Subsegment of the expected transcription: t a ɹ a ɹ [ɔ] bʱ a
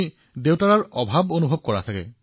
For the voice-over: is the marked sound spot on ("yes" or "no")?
yes